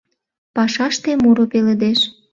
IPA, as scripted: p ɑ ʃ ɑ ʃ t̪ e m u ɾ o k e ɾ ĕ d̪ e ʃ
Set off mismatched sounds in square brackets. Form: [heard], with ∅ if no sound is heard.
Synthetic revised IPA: p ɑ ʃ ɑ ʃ t̪ e m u ɾ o [p] e [l] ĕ d̪ e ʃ